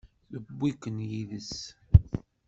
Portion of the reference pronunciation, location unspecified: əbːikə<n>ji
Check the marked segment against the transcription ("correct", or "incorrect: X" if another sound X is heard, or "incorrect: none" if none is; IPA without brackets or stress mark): correct